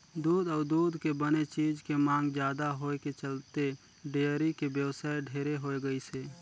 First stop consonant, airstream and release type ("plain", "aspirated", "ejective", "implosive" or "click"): plain